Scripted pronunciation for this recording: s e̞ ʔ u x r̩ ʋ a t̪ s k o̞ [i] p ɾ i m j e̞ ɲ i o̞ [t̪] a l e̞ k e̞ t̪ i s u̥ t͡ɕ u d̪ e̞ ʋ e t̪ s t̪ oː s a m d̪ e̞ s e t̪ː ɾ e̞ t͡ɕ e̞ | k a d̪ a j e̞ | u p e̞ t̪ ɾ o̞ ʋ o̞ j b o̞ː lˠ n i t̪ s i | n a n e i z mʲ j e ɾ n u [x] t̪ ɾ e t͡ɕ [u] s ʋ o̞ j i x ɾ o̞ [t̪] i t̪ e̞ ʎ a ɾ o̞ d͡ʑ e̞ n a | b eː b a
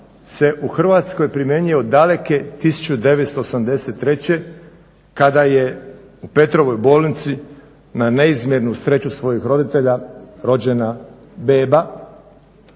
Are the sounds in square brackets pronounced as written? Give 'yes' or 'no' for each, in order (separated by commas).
no, no, no, yes, no